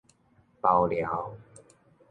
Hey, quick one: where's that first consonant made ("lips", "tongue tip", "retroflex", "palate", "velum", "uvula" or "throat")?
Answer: lips